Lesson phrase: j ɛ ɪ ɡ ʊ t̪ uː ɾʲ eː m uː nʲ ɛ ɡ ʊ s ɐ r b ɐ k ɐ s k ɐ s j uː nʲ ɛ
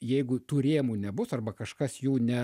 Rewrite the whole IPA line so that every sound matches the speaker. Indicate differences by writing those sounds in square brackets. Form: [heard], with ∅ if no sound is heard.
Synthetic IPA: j ɛ ɪ ɡ ʊ t̪ uː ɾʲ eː m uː nʲ ɛ [b] ʊ s ɐ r b ɐ k ɐ [ʃ] k ɐ s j uː nʲ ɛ